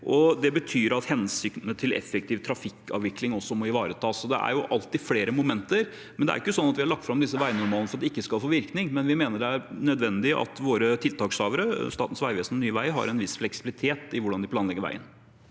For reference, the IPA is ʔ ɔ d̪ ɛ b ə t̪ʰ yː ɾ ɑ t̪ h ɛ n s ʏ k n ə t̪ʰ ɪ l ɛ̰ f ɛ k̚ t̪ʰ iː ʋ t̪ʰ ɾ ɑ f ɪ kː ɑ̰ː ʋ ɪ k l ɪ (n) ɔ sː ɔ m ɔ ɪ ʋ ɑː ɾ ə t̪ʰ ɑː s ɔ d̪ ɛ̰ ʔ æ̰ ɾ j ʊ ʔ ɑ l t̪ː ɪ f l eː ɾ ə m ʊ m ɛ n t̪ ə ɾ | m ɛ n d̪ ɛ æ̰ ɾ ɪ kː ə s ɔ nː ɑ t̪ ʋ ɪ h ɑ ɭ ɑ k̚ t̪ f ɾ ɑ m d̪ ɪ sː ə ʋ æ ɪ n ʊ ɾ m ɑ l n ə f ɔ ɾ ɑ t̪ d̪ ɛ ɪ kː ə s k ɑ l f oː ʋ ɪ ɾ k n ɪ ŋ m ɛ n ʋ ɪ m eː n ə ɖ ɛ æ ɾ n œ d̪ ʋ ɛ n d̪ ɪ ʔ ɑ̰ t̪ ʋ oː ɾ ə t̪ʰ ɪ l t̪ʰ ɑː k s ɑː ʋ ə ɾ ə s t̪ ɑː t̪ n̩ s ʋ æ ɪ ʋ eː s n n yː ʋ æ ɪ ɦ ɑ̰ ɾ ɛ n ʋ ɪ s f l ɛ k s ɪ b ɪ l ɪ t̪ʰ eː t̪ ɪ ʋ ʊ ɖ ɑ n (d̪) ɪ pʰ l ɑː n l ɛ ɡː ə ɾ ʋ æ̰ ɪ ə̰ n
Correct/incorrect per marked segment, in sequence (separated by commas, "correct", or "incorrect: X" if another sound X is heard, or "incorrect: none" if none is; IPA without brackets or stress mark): incorrect: ŋ, correct